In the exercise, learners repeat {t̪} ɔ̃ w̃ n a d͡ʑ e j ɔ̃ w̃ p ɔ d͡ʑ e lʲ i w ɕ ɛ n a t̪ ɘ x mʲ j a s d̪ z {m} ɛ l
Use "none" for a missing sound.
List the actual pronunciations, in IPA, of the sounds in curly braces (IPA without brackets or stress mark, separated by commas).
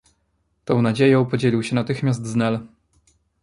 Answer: t̪, n